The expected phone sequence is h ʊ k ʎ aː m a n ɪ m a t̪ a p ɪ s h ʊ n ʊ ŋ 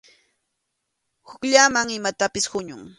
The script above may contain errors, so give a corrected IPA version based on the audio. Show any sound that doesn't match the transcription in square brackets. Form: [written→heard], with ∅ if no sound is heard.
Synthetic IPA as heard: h ʊ k ʎ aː m a [n→ŋ] ɪ m a t̪ a p ɪ s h ʊ [n→ɲ] ʊ ŋ